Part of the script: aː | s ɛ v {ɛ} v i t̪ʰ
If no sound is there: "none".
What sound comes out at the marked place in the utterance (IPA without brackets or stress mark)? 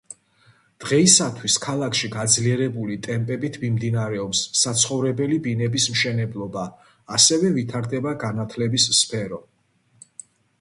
ɛ